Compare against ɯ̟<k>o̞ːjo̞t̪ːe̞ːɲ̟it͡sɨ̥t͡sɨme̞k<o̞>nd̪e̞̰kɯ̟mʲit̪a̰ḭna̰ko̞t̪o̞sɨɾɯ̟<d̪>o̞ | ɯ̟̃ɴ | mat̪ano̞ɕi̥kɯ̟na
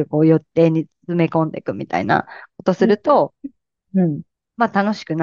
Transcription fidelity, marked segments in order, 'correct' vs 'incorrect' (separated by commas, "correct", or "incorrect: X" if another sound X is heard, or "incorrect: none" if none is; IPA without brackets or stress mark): correct, incorrect: õ̞, incorrect: t̪